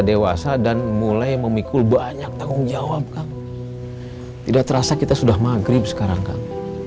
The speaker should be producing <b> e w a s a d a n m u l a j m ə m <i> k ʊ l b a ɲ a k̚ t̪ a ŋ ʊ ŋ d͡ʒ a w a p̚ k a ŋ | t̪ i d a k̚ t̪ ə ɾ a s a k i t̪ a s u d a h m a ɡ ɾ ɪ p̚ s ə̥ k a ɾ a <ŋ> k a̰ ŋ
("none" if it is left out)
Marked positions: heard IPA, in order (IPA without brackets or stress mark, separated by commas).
d, i, ŋ